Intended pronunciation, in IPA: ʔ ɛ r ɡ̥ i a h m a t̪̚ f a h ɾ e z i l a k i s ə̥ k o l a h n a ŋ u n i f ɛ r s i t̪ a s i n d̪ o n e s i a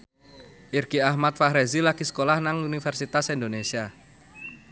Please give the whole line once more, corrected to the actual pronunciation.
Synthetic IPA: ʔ i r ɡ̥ i a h m a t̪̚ f a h ɾ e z i l a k i s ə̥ k o l a h n a ŋ u n i f ɛ r s i t̪ a s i n d̪ o n e s i a

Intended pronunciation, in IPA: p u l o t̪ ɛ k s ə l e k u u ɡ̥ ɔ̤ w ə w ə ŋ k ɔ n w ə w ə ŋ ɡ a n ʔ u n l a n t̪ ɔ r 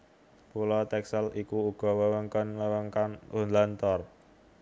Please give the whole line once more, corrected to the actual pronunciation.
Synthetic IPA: p u l ɔ t̪ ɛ k s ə l i k u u ɡ̥ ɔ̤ w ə w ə ŋ k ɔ n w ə w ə ŋ k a n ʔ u n l a n t̪ ɔ r

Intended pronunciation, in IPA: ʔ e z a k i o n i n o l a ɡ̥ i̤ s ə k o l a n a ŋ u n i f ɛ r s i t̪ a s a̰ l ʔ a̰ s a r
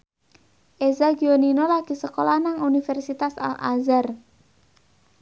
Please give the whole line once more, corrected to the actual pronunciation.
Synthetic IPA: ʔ e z a ɡ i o n i n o l a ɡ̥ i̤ s ə k o l a n a ŋ u n i f ɛ r s i t̪ a s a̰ l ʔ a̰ z a r

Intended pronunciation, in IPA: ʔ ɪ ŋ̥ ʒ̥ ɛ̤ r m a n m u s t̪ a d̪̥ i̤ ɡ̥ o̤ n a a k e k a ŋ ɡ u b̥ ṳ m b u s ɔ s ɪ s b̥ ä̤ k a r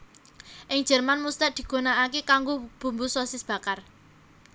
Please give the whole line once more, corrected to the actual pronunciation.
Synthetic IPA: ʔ ɪ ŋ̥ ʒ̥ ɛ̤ r m a n m u s t̪ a d̪̥ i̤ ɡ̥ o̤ n a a k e k a ŋ ɡ o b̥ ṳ m b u s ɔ s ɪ s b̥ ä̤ k a r

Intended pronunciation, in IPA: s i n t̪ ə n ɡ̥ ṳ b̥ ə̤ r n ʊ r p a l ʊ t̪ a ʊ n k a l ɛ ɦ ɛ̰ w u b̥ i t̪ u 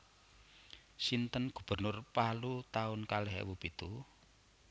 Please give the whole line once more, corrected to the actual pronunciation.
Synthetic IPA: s i n t̪ ə n ɡ̥ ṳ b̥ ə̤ r n ʊ r p a l u t̪ a ʊ n k a l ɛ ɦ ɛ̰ w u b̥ i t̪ u

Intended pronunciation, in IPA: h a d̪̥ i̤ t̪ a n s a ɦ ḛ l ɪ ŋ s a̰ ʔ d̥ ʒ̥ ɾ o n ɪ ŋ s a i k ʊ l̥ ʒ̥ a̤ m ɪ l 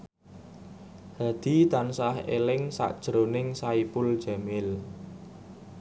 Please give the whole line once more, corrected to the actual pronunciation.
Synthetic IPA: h a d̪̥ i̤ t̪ a n s a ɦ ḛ l ɪ ŋ s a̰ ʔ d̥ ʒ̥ ɾ o n ɪ ŋ s a i p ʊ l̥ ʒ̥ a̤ m ɪ l

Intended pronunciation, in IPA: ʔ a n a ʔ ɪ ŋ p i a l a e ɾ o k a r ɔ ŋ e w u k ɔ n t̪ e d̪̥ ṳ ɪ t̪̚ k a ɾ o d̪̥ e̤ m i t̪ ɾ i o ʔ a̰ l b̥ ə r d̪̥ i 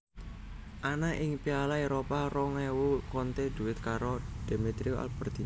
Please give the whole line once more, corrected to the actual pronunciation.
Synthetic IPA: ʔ a n a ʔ ɪ ŋ p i a l a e ɾ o p a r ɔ ŋ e w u k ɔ n t̪ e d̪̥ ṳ ɪ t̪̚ k a ɾ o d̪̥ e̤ m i t̪ ɾ i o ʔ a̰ l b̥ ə r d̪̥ i

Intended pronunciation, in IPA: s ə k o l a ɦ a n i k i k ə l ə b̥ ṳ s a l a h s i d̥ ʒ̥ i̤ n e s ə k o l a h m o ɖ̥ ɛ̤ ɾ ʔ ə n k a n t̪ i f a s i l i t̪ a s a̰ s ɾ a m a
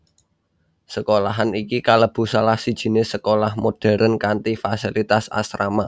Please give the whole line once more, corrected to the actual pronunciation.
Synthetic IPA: s ə k o l a ɦ a n i k i k a l ə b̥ ṳ s a l a h s i d̥ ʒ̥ i̤ n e s ə k o l a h m o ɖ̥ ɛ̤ ɾ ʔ ə n k a n t̪ i f a s i l i t̪ a s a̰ s ɾ a m a

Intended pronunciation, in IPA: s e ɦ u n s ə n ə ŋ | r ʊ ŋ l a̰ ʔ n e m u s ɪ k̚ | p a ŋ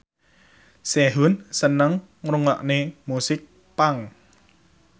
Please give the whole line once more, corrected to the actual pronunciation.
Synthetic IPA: s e ɦ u n s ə n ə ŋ | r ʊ ŋ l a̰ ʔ n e m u s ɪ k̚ | p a ŋ

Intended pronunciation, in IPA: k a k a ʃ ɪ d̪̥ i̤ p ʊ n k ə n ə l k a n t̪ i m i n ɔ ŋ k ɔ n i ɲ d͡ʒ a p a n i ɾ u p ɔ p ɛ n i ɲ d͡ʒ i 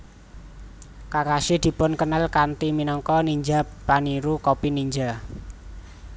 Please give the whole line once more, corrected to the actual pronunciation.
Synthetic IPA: k a k a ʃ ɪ d̪̥ i̤ p ʊ n k ə n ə l k a n t̪ i m i n ɔ ŋ k ɔ n i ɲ d͡ʒ a p a n i ɾ u k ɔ p i n i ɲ d͡ʒ a

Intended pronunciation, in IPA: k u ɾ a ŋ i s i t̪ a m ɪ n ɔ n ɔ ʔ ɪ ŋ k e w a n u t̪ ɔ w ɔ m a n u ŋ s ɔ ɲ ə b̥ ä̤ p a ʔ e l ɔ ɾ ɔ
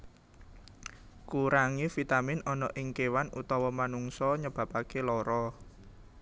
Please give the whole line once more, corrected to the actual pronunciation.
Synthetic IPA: k u ɾ a ŋ i f i t̪ a m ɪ n ɔ n ɔ ʔ ɪ ŋ k e w a n u t̪ ɔ w ɔ m a n u ŋ s ɔ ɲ ə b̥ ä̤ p a k e l ɔ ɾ ɔ

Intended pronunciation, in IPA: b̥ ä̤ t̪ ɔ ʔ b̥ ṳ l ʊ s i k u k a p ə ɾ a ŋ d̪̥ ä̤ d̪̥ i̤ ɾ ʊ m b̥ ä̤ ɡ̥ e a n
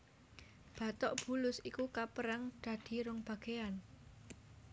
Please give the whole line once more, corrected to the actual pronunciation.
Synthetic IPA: b̥ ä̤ t̪ ɔ ʔ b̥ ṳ l ʊ s i k u k a p ə ɾ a ŋ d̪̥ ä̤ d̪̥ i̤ ɾ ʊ ŋ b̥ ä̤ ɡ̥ e a n

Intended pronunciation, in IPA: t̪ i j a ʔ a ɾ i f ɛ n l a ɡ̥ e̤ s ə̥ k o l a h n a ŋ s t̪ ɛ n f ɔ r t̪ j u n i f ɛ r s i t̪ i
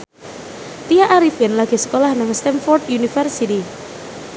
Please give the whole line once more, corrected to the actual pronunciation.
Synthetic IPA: t̪ i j a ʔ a ɾ i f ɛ n l a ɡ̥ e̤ s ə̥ k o l a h n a ŋ s t̪ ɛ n f ɔ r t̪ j u n i f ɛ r s i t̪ i

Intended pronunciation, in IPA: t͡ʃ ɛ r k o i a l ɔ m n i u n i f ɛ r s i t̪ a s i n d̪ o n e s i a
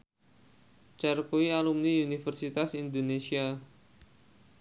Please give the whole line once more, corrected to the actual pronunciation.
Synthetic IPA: t͡ʃ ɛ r k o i a l u m n i u n i f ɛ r s i t̪ a s i n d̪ o n e s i a

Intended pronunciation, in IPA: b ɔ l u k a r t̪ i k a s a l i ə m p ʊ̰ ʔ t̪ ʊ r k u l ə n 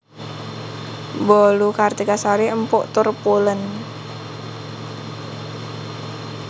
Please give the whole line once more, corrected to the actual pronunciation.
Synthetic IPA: b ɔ l u k a r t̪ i k a s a ɾ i ə m p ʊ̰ ʔ t̪ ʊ r p u l ə n

